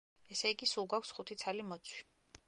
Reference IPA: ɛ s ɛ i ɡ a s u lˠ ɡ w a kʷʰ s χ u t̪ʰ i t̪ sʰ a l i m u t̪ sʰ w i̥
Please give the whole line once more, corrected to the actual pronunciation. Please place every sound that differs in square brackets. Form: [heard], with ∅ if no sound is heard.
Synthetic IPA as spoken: ɛ s ɛ i ɡ [i] s u lˠ ɡ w a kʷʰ s χ u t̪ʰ i t̪ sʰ a l i m [ɔ] t̪ sʰ w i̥